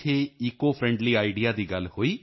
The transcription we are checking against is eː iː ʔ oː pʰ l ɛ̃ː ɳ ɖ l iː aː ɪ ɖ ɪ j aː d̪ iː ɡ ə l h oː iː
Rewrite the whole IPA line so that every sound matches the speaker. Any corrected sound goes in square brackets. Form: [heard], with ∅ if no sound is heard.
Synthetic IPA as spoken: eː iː [k] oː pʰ [ɾ] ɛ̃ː ɳ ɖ l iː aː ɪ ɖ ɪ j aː d̪ iː ɡ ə l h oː iː